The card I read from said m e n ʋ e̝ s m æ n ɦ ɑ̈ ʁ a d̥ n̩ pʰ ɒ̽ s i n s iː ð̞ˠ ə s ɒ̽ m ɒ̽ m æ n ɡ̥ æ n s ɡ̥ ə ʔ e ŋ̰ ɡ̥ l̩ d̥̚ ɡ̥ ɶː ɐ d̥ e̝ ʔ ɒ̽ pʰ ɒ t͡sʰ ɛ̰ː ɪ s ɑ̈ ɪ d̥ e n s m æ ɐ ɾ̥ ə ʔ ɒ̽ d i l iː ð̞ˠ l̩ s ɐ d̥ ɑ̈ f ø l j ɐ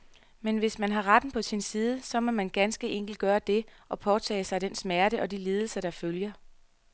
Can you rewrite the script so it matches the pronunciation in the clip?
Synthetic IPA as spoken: m e n ʋ e̝ s m æ n ɦ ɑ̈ ʁ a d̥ n̩ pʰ ɒ̽ s i n s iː ð̞ˠ ə s ɒ̽ m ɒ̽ m æ n ɡ̥ æ n s ɡ̥ ə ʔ e ŋ̰ ɡ̥ l̩ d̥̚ ɡ̥ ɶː ɐ d̥ e̝ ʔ ɒ̽ pʰ ɒ t͡sʰ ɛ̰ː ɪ s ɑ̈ ɪ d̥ e n s m æ ɐ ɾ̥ ə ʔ ɒ̽ d i l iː ð̞ˠ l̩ s ɐ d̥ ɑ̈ f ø l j ɐ